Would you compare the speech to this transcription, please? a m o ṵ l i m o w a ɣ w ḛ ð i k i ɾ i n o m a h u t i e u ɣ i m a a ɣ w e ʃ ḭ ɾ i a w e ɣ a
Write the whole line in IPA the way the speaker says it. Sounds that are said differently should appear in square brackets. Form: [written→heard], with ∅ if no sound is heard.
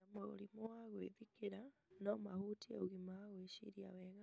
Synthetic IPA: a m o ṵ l i m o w a ɣ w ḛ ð i k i ɾ [i→a] n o m a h u t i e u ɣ i m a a ɣ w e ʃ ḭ ɾ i a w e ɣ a